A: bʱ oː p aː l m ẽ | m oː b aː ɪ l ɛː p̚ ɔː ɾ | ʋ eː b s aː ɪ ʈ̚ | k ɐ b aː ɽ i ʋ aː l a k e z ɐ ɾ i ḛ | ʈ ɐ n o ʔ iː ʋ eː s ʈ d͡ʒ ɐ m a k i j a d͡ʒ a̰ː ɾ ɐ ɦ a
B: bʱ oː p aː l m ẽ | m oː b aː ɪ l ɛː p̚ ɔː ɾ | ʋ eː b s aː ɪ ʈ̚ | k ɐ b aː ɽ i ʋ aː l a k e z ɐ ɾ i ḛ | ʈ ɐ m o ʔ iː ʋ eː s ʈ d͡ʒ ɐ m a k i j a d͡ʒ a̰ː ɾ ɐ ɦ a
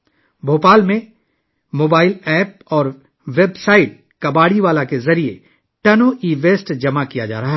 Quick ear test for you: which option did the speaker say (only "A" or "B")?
A